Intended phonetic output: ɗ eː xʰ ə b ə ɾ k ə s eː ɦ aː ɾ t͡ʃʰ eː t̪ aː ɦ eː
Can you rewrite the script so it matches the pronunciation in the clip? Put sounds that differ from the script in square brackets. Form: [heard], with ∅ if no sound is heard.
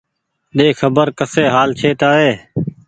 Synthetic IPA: ɗ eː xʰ ə b ə ɾ k ə s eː ɦ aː [l] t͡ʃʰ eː t̪ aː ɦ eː